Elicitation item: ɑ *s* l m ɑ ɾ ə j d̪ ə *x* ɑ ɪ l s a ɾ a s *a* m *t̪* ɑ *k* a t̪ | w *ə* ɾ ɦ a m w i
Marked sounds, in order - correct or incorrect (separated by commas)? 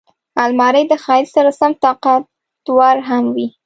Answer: incorrect, correct, correct, correct, incorrect, incorrect